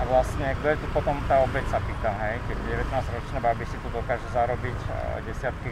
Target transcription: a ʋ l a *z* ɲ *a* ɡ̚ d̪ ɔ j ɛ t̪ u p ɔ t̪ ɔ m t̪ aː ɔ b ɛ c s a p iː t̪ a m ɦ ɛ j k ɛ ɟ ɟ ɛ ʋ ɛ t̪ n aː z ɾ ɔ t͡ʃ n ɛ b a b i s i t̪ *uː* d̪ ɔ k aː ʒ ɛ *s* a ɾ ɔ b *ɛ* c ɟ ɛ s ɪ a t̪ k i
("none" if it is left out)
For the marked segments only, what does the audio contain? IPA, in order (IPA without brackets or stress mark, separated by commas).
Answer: s, ɛ, u, z, i